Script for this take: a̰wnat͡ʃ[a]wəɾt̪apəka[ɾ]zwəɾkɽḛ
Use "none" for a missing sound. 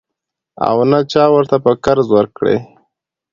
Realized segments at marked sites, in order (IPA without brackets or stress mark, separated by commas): ɑ, ɾ